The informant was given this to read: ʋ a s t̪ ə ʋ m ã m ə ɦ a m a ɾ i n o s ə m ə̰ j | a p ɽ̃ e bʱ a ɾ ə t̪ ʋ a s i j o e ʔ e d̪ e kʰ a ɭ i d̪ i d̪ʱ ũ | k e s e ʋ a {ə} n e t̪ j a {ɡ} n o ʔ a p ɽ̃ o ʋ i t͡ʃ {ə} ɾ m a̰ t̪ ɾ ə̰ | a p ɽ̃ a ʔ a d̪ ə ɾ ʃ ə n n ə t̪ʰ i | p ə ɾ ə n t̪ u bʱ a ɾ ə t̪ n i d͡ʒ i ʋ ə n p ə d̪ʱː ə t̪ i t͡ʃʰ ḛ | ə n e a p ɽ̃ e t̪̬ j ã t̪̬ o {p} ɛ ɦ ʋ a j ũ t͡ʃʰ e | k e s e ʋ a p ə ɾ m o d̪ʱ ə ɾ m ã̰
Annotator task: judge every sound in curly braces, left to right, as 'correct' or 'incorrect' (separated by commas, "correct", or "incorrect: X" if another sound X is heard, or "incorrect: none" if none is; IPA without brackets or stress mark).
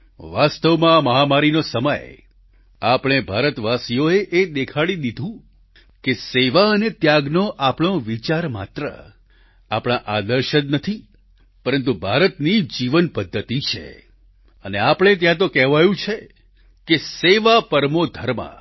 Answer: correct, correct, incorrect: a, incorrect: k